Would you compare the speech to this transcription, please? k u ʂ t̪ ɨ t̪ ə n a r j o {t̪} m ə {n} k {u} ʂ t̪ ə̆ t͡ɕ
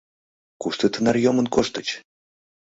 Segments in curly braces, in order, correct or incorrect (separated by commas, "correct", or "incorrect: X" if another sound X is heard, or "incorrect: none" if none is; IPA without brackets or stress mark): incorrect: none, correct, incorrect: o